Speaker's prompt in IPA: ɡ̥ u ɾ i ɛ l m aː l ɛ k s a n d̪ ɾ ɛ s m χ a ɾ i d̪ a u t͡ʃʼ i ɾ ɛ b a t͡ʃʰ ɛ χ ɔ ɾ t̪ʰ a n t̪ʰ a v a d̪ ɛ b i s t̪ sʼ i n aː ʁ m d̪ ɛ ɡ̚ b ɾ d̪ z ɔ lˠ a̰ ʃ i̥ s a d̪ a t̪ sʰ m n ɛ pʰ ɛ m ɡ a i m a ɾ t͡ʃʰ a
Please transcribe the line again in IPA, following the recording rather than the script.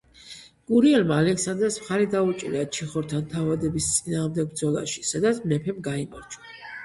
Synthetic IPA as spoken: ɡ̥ u ɾ i ɛ l m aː l ɛ k s a n d̪ ɾ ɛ s m χ a ɾ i d̪ a u t͡ʃʼ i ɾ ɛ a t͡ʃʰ i χ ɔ ɾ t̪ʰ a n t̪ʰ a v a d̪ ɛ b i s t̪ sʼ i n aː ʁ m d̪ ɛ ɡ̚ b ɾ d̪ z ɔ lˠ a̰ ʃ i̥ s a d̪ a t̪ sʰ m n ɛ pʰ ɛ m ɡ a i m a ɾ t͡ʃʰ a